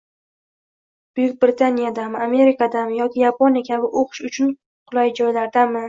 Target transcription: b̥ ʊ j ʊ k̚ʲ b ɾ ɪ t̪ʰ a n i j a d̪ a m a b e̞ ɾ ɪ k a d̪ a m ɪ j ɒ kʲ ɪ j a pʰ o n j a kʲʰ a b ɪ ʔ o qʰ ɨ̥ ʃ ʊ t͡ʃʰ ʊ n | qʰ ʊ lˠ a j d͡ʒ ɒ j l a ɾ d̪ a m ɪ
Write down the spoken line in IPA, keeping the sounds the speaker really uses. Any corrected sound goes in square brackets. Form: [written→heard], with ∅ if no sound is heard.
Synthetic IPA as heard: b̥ ʊ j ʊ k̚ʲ b ɾ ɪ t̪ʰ a n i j a d̪ a m a [b→m] e̞ ɾ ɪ k a d̪ a m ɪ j ɒ kʲ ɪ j a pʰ o n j a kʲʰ a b ɪ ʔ o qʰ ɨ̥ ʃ ʊ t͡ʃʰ ʊ n | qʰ ʊ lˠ a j d͡ʒ ɒ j l a ɾ d̪ a m ɪ